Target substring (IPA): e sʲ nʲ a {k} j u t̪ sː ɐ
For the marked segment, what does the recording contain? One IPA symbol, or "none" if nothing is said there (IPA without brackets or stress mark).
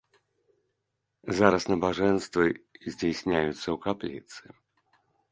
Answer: none